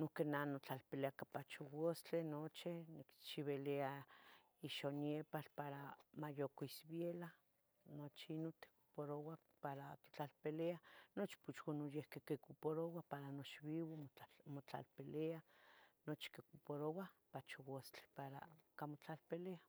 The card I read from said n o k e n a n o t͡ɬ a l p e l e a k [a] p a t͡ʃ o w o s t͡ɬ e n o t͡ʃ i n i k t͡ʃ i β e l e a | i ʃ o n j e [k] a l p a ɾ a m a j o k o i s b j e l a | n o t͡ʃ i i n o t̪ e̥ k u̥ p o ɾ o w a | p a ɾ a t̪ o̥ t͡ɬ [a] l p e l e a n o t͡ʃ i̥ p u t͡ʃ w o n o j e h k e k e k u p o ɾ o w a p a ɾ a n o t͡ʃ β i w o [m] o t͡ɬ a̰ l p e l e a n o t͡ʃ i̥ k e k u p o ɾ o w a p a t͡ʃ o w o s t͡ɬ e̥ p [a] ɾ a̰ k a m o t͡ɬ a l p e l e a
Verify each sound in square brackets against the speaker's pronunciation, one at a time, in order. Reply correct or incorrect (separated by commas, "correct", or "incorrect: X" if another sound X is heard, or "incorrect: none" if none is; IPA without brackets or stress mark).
correct, incorrect: p, correct, correct, correct